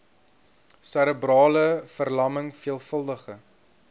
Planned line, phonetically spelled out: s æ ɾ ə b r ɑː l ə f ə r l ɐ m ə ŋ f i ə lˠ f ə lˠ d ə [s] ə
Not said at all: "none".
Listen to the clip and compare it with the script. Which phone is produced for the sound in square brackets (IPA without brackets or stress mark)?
χ